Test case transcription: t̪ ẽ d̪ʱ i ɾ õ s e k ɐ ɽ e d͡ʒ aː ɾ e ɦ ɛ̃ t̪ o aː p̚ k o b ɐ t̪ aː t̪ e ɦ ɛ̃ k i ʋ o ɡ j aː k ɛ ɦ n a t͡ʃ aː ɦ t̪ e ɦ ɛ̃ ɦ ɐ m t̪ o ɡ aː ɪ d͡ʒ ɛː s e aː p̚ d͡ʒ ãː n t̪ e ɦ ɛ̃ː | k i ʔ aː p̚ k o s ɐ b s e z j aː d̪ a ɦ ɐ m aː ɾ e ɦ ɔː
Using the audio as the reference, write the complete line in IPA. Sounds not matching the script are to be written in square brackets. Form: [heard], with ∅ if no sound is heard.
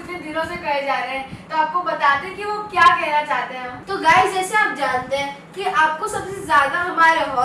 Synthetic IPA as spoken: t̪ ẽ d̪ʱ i ɾ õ s e k ɐ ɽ e d͡ʒ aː ɾ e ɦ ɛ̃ t̪ o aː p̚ k o b ɐ t̪ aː t̪ e ɦ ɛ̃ k i ʋ o [k] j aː k ɛ ɦ n a t͡ʃ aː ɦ t̪ e ɦ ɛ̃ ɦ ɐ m t̪ o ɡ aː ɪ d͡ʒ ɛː s e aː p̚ d͡ʒ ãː n t̪ e ɦ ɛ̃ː | k i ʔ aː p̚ k o s ɐ b s e z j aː d̪ a ɦ ɐ m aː ɾ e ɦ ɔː